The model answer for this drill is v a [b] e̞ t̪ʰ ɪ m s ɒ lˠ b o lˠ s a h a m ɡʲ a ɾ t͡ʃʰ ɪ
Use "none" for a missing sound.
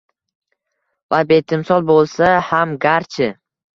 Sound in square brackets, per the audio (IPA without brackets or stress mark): b